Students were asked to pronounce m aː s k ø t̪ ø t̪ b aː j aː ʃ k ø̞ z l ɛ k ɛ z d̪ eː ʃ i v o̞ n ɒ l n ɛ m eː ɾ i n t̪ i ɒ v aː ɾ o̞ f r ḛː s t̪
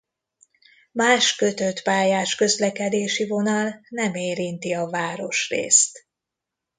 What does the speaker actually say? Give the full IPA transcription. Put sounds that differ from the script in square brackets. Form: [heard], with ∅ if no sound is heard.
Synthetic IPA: m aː [ʃ] k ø t̪ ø t̪ [p] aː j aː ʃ k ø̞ z l ɛ k ɛ [∅] d̪ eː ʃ i v o̞ n ɒ l n ɛ m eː ɾ i n t̪ i ɒ v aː ɾ o̞ [ʃ] r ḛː s t̪

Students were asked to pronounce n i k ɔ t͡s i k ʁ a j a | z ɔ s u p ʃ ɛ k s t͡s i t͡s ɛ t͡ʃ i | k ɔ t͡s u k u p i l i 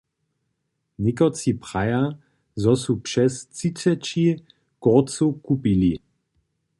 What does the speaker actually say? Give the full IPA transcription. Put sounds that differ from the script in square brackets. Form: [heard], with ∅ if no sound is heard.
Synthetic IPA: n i k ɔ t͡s i [p] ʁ a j a | z ɔ s u p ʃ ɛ [∅] s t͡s i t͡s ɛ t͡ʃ i | k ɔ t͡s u k u p i l i

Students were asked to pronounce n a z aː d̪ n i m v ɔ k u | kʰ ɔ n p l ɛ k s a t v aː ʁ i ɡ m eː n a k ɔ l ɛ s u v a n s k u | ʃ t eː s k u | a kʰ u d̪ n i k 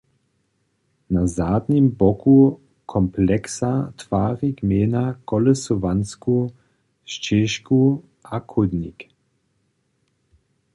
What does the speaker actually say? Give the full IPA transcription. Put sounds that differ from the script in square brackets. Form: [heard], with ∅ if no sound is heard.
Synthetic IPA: n a z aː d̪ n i m [b] ɔ k u | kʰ ɔ [m] p l ɛ k s a t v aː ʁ i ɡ m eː n a k ɔ l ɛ s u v a n s k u | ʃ [t͡ʃ] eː [ʃ] k u | a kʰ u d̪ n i k

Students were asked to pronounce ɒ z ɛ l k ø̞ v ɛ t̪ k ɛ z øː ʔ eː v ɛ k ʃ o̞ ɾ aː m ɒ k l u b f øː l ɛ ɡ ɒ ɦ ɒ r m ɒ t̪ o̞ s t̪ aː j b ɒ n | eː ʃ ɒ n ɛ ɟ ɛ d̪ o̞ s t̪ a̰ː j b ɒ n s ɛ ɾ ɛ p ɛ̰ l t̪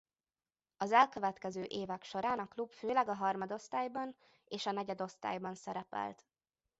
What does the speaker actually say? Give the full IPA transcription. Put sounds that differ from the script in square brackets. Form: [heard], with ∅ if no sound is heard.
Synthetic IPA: ɒ z ɛ l k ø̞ v ɛ t̪ k ɛ z øː ʔ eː v ɛ k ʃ o̞ ɾ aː [n] ɒ k l u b f øː l ɛ ɡ ɒ ɦ ɒ r m ɒ [d̪] o̞ s t̪ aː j b ɒ n | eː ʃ ɒ n ɛ ɟ ɛ d̪ o̞ s t̪ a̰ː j b ɒ n s ɛ ɾ ɛ p ɛ̰ l t̪

